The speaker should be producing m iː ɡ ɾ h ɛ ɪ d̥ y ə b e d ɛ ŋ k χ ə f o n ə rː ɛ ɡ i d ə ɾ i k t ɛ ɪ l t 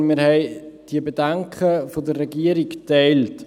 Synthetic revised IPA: m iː ɾ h ɛ ɪ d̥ i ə b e d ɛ ŋ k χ ə f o d ə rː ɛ ɡ i ə ɾ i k t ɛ ɪ l t